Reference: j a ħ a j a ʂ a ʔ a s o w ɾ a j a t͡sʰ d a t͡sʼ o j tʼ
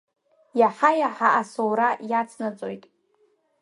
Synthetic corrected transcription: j a ħ a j a ħ a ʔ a s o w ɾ a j a t͡sʰ n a t͡sʼ o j tʼ

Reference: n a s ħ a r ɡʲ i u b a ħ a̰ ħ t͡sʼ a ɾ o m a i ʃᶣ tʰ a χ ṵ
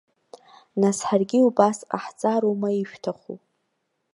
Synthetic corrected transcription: n a s ħ a r ɡʲ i u b a s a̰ ħ t͡sʼ a ɾ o m a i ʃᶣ tʰ a χ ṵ

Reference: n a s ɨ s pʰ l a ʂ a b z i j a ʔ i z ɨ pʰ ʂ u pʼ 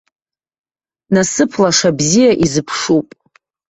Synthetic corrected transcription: n a s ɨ pʰ l a ʂ a b z i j a ʔ i z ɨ pʰ ʂ u pʼ

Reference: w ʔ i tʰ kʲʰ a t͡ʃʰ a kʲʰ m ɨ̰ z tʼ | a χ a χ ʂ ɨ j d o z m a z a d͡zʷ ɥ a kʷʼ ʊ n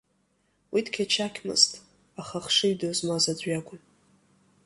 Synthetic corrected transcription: w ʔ i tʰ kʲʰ a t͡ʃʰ a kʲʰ m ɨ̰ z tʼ | a χ a χ ʂ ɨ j d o z m a z a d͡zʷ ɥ a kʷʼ ʊ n

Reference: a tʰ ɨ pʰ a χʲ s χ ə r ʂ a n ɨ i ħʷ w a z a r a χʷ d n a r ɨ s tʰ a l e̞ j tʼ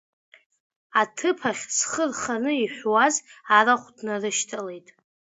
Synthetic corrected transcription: a tʰ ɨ pʰ a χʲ s χ ə r χ a n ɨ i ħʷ w a z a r a χʷ d n a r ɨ ʃ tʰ a l e̞ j tʼ

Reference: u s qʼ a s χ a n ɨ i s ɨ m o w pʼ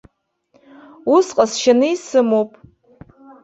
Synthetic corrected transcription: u s qʼ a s ʃ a n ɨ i s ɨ m o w pʼ

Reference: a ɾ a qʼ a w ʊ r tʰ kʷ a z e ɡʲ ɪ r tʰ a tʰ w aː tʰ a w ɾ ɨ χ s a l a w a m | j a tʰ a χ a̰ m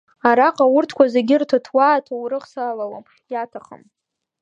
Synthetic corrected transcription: a ɾ a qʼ a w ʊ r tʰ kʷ a z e ɡʲ ɪ r tʰ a tʰ w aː tʰ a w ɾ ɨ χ s a l a w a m | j a tʰ a χ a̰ m

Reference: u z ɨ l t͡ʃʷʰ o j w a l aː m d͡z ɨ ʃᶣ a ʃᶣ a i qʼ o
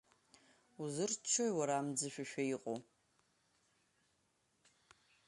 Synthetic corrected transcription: u z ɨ r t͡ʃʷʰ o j w a ɾ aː m d͡z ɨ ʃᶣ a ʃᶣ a i qʼ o

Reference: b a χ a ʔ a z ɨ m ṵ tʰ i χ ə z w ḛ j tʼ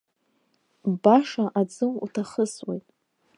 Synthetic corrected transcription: b a ʂ a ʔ a d͡z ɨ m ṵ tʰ a χ ə s w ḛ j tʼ

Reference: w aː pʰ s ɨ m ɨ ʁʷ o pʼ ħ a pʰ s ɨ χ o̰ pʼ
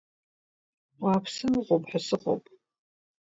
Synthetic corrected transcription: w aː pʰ s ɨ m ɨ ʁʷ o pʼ ħ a s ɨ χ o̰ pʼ

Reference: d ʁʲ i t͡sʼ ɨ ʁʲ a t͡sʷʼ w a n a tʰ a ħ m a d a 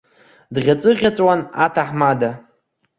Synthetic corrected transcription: d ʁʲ a t͡sʼ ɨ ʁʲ a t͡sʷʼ w a n a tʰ a ħ m a d a

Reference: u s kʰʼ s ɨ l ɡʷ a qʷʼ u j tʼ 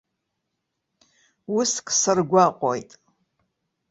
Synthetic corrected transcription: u s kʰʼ s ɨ r ɡʷ a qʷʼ o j tʼ

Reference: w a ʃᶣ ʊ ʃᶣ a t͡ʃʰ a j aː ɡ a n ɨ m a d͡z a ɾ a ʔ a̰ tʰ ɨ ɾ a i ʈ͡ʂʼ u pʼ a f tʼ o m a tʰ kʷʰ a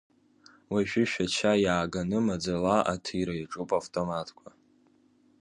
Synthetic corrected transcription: w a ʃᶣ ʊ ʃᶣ a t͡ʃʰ a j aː ɡ a n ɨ m a d͡z a l a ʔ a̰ tʰ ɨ ɾ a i ʈ͡ʂʼ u pʼ a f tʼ o m a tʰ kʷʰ a

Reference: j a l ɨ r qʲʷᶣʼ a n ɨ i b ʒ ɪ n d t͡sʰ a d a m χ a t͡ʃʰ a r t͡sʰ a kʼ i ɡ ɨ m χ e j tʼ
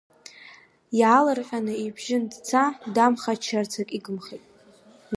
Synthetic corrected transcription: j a l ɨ r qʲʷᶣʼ a n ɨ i b ʒ ɪ n d t͡sʰ a d a m χ a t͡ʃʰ a r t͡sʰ a kʼ i ɡ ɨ m χ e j tʼ

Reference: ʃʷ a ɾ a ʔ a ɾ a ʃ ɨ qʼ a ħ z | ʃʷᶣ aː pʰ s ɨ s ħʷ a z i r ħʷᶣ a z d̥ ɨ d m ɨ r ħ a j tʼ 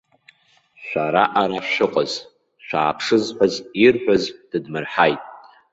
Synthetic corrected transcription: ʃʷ a ɾ a ʔ a ɾ a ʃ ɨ qʼ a z | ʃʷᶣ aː pʰ ʂ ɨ z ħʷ a z i r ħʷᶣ a z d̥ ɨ d m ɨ r ħ a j tʼ

